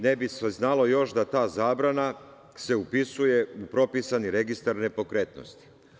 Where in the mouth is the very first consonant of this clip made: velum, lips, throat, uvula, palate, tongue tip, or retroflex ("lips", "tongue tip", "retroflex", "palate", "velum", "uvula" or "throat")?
tongue tip